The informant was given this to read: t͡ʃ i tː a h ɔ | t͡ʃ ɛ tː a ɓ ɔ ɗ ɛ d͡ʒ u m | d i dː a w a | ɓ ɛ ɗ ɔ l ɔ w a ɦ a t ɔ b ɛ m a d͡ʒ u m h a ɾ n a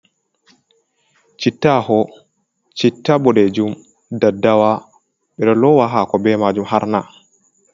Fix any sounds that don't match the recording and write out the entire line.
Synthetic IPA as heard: t͡ʃ i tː a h ɔ | t͡ʃ i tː a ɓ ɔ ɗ ɛ d͡ʒ u m | d a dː a w a | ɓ ɛ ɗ ɔ l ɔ w a ɦ a k ɔ b ɛ m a d͡ʒ u m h a ɾ n a